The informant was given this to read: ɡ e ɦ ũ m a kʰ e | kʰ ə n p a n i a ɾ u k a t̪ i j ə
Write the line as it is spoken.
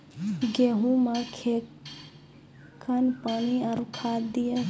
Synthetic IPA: ɡ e ɦ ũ m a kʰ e | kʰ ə n p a n i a ɾ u kʰ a d̪ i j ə